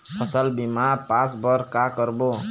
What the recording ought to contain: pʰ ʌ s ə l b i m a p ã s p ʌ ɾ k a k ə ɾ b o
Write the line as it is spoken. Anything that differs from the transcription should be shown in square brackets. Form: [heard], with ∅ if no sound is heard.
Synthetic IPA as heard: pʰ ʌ s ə l b i m a p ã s [b] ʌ ɾ k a k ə ɾ b o